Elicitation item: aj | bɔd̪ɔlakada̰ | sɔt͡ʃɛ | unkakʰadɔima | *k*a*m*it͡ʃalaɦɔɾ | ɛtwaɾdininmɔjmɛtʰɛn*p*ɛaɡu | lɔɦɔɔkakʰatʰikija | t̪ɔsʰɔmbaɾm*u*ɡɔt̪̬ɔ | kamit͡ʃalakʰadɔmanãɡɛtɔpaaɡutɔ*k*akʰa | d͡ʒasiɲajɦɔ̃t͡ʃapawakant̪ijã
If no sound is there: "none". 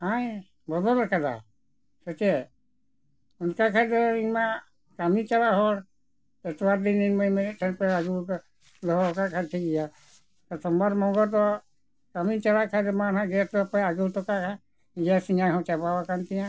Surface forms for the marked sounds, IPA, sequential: k, m, p, ɔ, k

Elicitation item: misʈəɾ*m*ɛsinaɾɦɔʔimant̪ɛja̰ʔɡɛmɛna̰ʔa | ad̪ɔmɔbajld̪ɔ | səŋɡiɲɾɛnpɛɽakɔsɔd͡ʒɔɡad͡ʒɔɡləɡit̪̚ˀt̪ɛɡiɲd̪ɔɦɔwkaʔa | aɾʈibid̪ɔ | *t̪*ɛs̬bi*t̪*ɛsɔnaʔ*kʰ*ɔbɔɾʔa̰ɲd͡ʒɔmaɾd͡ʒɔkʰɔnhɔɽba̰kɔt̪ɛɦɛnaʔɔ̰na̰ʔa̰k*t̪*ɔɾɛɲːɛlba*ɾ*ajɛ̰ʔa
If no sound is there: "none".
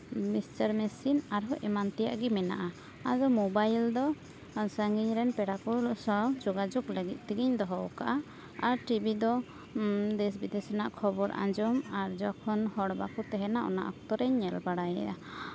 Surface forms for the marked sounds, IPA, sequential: m, d̪, d̪, kʰ, t̪, ɽ

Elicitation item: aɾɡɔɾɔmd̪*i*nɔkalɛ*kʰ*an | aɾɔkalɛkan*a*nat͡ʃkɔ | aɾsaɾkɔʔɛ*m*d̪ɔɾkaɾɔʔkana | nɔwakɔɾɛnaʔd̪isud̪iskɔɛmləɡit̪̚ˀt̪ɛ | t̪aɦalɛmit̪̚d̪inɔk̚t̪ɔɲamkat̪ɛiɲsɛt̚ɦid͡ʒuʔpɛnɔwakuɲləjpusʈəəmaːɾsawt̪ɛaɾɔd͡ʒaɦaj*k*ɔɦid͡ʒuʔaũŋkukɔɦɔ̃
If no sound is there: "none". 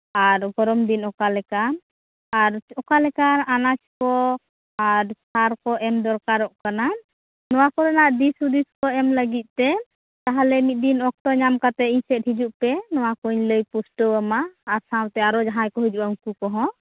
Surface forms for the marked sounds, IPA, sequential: i, k, a, m, k

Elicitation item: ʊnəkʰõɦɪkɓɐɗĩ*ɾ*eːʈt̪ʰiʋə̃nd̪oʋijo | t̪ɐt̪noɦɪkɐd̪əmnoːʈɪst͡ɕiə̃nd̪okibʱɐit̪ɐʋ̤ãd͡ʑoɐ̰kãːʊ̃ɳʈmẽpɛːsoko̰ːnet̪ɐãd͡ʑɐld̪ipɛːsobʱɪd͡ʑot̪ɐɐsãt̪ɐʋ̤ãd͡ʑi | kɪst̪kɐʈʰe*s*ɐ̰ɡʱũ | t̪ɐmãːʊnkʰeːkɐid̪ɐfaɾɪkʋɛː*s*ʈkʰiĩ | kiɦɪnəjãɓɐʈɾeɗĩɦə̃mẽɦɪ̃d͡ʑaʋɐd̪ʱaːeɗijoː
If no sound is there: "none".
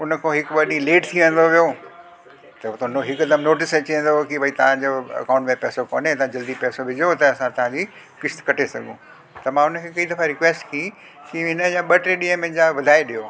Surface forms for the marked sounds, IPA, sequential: l, s, s

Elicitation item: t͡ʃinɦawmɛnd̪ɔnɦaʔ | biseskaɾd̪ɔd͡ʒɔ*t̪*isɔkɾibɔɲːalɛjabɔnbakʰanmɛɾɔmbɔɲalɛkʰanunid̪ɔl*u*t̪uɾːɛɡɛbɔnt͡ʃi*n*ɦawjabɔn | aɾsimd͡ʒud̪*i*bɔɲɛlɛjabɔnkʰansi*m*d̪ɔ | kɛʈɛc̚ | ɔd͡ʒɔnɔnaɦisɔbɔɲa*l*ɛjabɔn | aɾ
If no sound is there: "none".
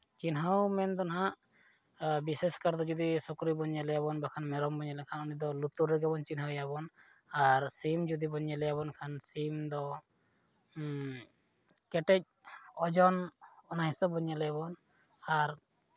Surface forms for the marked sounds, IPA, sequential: d̪, u, n, i, m, l

